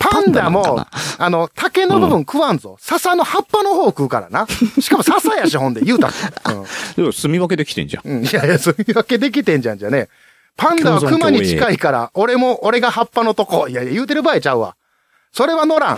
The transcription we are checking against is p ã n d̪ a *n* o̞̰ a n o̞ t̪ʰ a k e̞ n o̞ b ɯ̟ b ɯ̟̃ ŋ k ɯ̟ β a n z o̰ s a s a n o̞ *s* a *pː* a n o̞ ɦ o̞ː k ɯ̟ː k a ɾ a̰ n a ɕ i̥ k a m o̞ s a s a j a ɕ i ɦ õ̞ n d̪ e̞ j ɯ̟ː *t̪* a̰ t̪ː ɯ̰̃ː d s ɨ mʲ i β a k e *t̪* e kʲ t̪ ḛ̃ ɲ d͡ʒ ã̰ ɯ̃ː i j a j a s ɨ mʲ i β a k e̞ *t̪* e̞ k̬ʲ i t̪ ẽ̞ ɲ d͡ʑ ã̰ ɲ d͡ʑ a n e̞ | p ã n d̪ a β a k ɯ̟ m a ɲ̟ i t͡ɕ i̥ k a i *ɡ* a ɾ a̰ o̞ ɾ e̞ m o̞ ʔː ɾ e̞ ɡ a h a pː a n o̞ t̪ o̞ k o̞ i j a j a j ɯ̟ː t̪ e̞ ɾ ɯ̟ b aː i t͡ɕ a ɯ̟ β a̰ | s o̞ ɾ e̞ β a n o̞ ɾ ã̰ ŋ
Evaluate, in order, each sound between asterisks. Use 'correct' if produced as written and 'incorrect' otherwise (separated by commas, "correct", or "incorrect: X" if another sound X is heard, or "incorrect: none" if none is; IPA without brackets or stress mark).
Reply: incorrect: m, incorrect: h, correct, correct, incorrect: d̪, incorrect: d̪, incorrect: k